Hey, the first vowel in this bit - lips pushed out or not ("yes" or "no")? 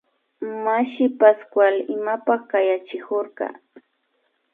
no